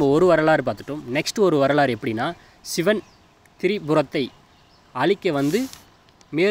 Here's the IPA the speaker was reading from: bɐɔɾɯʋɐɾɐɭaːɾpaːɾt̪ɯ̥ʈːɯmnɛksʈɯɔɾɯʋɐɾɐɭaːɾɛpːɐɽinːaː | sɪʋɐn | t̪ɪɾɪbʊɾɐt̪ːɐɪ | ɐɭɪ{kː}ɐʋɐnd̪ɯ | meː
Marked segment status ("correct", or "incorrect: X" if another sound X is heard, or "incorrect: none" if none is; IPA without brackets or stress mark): correct